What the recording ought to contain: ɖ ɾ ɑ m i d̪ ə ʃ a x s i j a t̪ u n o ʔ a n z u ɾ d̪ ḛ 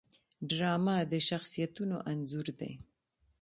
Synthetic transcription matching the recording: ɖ ɾ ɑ m a d̪ ə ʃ a x s i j a t̪ u n o ʔ a n z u ɾ d̪ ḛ